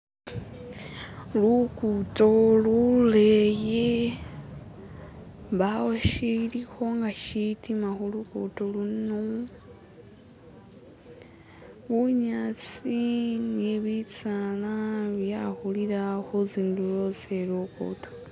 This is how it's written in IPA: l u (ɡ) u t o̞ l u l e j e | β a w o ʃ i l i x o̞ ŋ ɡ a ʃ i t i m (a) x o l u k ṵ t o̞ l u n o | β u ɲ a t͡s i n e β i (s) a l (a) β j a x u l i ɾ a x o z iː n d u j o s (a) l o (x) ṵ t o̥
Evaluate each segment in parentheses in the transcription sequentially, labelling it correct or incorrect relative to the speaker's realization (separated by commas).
incorrect, correct, incorrect, correct, incorrect, incorrect